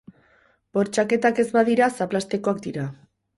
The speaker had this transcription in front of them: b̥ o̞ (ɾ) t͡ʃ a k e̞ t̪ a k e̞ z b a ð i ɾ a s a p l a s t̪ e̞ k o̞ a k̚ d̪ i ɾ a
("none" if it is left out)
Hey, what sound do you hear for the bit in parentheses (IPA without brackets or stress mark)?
ɾ